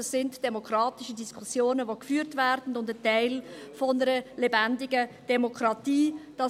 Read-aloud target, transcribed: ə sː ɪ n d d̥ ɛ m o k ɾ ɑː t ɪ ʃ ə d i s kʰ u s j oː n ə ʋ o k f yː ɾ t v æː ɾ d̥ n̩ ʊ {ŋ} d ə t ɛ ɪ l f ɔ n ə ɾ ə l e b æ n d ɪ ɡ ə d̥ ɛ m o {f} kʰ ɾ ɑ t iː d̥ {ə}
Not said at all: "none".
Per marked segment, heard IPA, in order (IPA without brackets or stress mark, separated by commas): n, none, ɑ